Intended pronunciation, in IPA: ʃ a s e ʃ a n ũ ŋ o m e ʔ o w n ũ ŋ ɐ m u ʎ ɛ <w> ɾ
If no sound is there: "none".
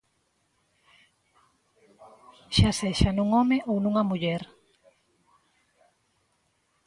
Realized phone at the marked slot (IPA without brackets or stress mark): none